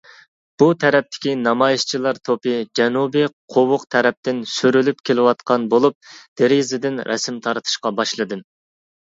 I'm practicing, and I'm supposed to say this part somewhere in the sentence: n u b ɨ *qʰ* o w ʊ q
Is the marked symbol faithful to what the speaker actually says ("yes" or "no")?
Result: yes